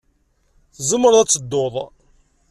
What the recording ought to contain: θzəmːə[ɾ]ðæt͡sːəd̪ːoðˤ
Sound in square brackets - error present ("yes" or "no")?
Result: no